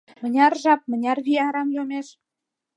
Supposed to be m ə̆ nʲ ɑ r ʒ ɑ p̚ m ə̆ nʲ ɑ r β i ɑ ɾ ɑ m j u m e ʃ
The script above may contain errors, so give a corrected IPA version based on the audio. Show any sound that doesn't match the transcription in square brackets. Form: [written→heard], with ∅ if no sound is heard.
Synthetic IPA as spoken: m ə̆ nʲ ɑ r ʒ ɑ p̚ m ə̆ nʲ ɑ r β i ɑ ɾ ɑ m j [u→o] m e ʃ